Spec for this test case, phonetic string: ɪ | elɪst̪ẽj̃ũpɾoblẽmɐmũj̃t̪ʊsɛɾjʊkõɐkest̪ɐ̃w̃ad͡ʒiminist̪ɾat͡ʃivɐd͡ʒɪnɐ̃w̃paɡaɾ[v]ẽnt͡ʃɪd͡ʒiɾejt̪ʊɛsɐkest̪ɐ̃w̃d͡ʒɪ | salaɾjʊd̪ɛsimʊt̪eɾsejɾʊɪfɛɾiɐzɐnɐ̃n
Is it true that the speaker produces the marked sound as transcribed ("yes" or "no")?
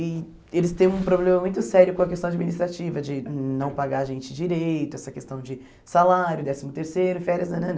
no